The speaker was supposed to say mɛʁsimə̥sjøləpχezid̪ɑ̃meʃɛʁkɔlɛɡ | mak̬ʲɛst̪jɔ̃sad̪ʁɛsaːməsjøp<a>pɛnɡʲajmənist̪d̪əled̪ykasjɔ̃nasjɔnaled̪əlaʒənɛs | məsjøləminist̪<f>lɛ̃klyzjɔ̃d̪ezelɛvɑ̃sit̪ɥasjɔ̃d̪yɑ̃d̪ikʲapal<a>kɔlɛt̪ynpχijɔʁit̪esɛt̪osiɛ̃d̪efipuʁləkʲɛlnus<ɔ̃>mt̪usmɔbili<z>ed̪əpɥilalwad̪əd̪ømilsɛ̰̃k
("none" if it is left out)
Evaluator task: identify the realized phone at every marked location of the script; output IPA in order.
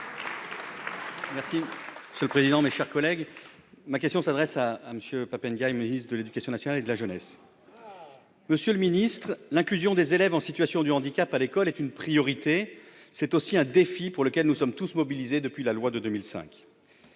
a, χ, e, ɔ, z

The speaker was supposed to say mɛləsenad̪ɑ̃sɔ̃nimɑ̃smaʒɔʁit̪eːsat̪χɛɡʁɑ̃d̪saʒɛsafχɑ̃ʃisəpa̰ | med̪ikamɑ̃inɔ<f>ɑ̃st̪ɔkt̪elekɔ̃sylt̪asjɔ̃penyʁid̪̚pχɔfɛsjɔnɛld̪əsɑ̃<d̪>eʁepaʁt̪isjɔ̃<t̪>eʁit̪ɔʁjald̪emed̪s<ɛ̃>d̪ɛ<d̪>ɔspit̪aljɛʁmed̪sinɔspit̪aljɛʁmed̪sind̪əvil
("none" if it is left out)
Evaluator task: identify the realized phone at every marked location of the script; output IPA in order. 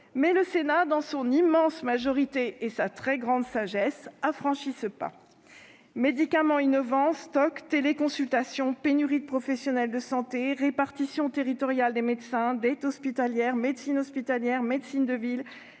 v, t̪, t̪, ɛ̃, t̪

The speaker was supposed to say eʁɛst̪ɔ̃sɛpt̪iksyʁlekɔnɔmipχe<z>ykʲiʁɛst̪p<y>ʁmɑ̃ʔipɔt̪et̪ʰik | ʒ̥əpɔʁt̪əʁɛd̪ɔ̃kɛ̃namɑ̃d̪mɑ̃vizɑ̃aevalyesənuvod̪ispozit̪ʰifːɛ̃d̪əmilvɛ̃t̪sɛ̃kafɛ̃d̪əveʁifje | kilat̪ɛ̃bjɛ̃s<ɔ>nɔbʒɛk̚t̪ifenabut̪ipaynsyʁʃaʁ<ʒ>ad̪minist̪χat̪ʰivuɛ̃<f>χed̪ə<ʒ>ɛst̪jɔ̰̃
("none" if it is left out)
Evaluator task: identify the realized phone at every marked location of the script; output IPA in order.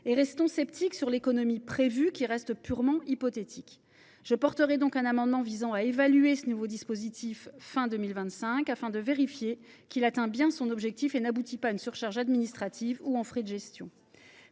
v, y, ɔ̃, ʒ, f, ʒ

